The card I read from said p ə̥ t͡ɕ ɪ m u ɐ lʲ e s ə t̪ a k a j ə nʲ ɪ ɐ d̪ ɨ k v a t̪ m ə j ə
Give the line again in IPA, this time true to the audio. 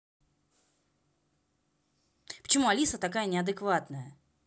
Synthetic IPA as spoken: p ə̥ t͡ɕ ɪ m u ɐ lʲ i s ə t̪ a k a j ə nʲ ɪ ɐ d̪ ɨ k v a t̪ n ə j ə